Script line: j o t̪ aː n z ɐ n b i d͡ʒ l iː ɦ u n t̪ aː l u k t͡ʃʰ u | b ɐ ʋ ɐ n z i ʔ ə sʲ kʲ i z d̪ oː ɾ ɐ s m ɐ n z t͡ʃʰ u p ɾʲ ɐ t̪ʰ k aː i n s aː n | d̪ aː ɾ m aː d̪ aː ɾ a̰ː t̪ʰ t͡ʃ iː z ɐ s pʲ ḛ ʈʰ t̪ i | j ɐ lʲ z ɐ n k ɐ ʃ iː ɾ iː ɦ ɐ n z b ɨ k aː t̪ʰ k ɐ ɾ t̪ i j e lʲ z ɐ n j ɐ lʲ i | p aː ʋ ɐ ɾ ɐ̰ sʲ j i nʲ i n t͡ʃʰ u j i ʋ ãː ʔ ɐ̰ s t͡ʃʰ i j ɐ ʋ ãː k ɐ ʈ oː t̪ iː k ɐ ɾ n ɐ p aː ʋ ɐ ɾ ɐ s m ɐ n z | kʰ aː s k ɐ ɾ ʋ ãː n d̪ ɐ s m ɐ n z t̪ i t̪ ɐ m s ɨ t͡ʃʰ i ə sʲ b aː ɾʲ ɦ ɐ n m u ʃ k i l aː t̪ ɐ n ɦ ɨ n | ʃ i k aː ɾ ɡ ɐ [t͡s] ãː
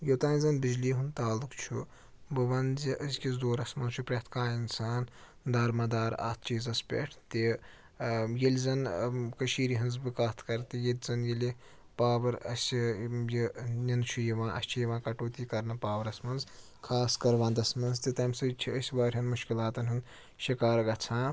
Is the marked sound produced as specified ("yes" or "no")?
no